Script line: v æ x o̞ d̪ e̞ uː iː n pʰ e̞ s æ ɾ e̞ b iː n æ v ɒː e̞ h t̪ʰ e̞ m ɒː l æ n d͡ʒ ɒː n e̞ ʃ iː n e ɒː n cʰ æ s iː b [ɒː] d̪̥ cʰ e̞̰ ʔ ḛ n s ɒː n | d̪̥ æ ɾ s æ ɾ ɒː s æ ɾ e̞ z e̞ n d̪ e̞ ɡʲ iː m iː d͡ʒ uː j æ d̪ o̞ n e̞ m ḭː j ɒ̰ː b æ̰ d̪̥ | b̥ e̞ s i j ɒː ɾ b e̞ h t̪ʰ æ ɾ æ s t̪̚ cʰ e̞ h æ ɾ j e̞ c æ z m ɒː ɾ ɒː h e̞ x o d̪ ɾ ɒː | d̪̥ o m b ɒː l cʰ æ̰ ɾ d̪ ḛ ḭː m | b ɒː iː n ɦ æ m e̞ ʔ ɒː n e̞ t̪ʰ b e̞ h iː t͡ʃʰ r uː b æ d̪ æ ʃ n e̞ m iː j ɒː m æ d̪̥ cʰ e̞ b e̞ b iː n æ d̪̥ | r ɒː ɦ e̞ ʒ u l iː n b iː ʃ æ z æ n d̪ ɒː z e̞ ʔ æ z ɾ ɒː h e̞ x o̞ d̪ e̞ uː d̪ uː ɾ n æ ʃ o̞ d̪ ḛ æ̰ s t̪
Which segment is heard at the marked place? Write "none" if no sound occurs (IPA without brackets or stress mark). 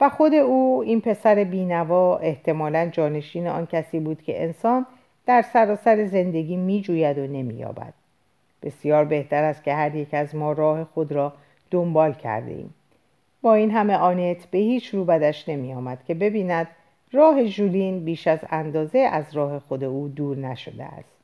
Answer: uː